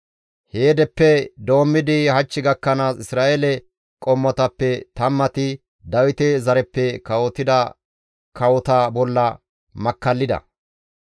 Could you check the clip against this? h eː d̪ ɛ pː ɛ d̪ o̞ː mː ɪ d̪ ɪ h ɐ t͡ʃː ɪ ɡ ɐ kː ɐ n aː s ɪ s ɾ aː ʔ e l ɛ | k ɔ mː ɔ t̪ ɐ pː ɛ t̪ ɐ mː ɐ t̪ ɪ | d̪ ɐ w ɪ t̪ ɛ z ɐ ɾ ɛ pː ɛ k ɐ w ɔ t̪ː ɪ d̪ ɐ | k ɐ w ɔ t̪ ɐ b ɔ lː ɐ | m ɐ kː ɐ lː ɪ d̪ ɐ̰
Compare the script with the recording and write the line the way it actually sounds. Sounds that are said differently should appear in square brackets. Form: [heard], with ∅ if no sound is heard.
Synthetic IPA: h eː d̪ ɛ pː ɛ d̪ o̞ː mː ɪ d̪ ɪ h ɐ t͡ʃː ɪ ɡ ɐ kː ɐ n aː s ɪ s ɾ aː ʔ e l ɛ | [kʼ] ɔ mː ɔ t̪ ɐ pː ɛ t̪ ɐ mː ɐ t̪ ɪ | d̪ ɐ w ɪ t̪ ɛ z ɐ ɾ ɛ pː ɛ k ɐ w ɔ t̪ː ɪ d̪ ɐ | k ɐ w ɔ t̪ ɐ b ɔ lː ɐ | m ɐ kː ɐ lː ɪ d̪ ɐ̰